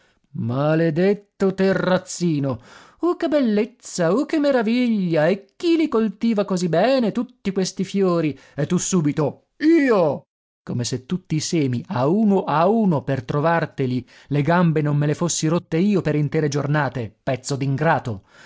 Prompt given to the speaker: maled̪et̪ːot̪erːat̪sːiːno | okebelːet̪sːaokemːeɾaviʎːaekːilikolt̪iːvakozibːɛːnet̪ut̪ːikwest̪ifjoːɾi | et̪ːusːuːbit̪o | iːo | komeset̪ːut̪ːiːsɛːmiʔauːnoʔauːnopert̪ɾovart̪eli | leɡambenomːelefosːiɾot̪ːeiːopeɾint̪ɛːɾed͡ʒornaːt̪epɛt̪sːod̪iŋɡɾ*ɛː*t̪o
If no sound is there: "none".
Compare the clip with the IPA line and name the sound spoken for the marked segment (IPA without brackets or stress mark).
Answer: aː